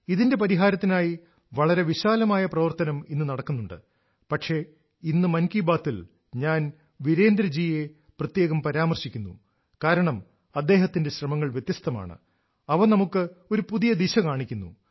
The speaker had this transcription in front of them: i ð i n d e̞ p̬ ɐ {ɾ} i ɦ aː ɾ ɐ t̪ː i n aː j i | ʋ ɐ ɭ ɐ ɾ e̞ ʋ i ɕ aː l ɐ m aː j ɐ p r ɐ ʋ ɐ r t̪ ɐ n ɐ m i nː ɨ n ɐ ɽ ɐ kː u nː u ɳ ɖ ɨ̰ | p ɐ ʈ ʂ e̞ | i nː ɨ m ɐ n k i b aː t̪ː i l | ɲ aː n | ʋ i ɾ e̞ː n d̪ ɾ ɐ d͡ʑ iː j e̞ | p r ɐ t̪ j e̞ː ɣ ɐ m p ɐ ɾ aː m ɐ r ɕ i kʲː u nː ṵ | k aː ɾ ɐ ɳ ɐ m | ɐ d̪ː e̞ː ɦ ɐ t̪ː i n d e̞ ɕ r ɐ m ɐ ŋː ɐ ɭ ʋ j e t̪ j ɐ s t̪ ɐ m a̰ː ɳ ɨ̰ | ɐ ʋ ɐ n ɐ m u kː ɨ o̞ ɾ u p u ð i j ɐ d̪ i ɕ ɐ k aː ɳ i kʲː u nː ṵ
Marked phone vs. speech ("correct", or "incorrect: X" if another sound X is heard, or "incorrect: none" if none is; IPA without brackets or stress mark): correct